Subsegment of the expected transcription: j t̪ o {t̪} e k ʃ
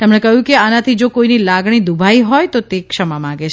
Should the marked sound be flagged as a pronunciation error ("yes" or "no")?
no